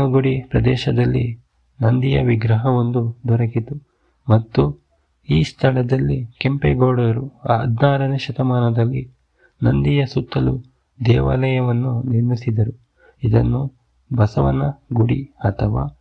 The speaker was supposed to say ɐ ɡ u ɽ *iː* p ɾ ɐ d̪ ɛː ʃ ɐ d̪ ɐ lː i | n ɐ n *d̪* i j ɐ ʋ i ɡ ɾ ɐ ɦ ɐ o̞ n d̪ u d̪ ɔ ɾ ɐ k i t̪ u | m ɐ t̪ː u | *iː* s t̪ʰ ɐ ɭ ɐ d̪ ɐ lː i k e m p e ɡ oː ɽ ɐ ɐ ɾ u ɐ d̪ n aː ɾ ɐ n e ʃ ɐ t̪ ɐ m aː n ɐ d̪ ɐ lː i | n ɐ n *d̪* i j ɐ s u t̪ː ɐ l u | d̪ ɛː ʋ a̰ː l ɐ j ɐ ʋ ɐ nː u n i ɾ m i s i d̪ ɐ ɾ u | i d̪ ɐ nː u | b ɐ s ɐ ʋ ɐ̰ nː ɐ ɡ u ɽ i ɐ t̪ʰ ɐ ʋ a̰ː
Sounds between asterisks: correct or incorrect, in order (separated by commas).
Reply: incorrect, correct, correct, correct